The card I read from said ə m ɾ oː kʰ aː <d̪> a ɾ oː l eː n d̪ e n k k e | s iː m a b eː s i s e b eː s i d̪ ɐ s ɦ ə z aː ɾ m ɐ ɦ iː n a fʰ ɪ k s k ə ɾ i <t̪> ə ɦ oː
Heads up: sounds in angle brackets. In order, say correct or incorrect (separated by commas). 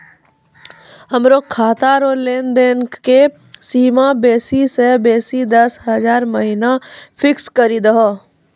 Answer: incorrect, incorrect